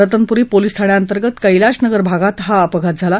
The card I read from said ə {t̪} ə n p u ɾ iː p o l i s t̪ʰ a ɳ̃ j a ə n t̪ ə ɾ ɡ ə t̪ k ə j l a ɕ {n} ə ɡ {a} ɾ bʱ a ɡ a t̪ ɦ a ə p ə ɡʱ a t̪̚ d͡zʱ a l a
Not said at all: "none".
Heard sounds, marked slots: t̪, n, ə

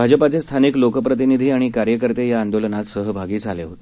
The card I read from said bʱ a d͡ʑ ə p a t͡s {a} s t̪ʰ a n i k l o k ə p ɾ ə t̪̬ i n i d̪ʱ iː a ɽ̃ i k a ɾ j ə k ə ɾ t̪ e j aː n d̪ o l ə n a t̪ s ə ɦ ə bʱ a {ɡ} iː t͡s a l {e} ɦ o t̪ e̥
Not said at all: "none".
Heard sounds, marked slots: e, ɡ, e

